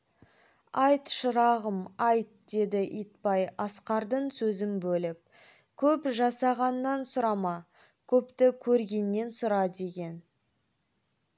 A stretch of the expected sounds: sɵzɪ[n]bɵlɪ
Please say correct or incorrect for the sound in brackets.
incorrect